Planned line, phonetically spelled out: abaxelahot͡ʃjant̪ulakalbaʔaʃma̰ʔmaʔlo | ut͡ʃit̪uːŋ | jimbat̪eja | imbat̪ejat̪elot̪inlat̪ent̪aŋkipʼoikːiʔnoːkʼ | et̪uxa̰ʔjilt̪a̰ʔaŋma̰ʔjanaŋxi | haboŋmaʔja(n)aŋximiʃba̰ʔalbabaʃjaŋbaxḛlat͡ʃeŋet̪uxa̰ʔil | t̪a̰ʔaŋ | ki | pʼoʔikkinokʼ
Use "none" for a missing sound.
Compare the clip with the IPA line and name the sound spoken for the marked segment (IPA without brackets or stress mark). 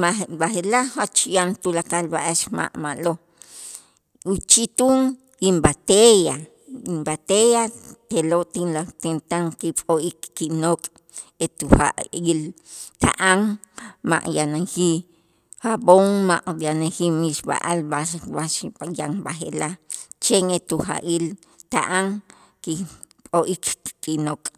n